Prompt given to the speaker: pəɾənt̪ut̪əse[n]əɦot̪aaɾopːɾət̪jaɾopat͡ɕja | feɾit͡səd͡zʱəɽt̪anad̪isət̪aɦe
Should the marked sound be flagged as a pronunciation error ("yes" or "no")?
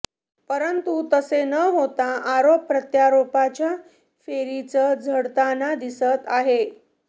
no